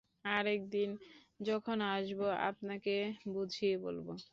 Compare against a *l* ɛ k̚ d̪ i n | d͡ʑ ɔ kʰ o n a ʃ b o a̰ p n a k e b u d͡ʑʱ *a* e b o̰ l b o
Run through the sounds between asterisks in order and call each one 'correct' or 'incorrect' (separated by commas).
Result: incorrect, incorrect